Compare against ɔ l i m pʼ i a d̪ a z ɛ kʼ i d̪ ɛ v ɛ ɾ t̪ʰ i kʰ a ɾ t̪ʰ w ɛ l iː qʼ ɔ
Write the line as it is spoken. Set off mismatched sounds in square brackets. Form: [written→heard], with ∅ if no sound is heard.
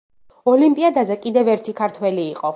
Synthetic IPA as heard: ɔ l i m pʼ i a d̪ a z ɛ kʼ i d̪ ɛ v ɛ ɾ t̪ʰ i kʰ a ɾ t̪ʰ w ɛ l iː qʼ ɔ